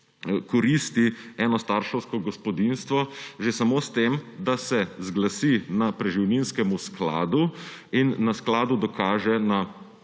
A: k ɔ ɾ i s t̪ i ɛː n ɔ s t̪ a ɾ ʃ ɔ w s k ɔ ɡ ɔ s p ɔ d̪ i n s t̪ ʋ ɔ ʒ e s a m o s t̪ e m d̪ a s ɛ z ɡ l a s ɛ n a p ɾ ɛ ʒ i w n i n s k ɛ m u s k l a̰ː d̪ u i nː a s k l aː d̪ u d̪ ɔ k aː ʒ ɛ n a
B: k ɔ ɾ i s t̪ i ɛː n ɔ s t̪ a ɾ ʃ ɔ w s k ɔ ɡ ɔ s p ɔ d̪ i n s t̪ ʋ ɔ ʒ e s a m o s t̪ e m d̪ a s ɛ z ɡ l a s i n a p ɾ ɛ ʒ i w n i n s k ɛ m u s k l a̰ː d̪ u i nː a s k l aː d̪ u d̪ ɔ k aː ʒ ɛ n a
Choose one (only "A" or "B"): B